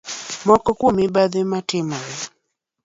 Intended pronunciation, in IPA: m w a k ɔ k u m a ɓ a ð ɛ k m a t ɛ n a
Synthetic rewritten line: m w a k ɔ k u m i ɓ a ð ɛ m a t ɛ m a